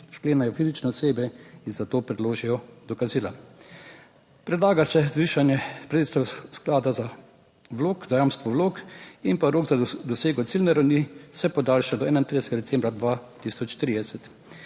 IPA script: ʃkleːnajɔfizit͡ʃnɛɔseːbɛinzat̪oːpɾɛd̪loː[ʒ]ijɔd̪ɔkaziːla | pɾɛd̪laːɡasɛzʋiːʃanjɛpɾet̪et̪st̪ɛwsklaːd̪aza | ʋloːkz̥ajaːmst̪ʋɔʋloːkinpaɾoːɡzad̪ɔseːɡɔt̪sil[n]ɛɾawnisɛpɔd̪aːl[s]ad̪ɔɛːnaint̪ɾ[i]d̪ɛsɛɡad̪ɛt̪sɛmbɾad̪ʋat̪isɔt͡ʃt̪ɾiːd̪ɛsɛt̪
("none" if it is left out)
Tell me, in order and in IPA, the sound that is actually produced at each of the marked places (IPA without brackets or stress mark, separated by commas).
ʒ, n, ʃ, i